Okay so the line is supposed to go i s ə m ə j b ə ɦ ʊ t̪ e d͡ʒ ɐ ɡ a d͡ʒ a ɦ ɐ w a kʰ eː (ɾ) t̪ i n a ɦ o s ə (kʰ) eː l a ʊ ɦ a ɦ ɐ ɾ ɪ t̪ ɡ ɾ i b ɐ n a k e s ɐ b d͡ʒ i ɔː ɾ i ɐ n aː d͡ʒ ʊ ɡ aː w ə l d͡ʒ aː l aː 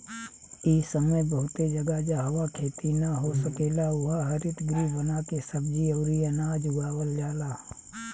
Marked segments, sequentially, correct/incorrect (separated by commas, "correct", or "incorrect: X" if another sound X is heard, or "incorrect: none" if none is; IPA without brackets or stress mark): incorrect: none, incorrect: k